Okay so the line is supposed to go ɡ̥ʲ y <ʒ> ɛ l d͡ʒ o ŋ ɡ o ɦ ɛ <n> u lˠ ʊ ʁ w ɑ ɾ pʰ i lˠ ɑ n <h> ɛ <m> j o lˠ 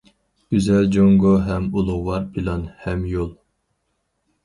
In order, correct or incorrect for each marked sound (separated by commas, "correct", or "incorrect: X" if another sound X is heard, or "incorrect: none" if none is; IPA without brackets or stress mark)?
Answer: incorrect: z, incorrect: m, correct, correct